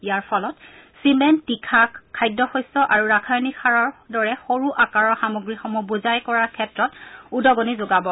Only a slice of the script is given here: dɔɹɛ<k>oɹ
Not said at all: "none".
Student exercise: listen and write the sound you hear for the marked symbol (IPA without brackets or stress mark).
x